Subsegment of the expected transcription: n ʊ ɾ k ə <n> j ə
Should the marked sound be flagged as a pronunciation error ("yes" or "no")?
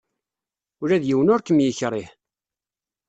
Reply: yes